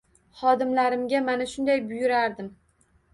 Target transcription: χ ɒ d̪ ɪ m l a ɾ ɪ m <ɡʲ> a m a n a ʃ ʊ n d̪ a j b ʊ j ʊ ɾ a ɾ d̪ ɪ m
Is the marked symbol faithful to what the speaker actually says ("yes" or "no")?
yes